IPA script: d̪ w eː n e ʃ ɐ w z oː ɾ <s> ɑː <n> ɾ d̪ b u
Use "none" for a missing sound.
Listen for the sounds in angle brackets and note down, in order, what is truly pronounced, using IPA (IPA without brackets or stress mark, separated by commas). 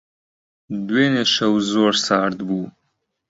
s, none